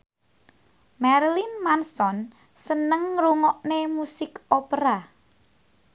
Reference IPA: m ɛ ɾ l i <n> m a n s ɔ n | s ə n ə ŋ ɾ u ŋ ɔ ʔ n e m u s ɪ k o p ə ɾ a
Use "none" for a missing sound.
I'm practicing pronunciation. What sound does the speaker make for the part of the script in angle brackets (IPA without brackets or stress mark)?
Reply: n